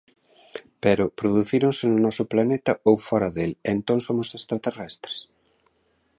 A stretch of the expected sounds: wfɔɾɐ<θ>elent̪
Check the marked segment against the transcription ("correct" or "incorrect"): incorrect